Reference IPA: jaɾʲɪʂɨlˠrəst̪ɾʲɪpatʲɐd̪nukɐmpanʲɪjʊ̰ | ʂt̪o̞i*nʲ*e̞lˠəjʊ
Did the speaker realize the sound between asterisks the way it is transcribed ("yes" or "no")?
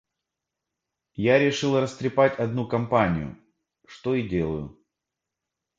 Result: no